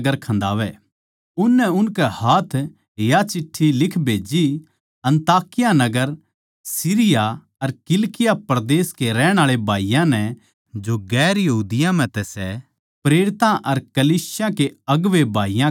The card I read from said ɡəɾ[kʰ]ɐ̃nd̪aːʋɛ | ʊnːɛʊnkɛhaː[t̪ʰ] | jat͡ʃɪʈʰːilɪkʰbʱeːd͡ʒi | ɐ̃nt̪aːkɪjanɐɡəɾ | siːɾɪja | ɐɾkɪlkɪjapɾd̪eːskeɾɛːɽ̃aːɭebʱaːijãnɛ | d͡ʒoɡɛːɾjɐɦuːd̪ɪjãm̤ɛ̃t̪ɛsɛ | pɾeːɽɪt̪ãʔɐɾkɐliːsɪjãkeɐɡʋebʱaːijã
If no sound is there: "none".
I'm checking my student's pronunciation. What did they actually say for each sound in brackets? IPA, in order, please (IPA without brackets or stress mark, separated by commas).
kʰ, t̪ʰ